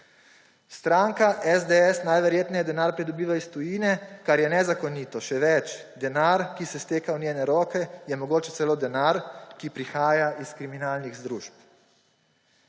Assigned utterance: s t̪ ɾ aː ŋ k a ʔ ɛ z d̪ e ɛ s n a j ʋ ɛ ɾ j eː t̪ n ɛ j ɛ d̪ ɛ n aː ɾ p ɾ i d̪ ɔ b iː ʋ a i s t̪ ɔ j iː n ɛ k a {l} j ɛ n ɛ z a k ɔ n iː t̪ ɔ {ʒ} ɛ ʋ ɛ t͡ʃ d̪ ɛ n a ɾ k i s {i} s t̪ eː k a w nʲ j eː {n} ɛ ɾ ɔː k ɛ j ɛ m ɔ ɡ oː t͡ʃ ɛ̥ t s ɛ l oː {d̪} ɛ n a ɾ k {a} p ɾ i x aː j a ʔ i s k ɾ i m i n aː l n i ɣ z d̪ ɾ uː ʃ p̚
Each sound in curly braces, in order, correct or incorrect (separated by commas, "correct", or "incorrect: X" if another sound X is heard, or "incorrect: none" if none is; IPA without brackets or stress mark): incorrect: ɾ, incorrect: ʃ, incorrect: ɛ, correct, correct, incorrect: i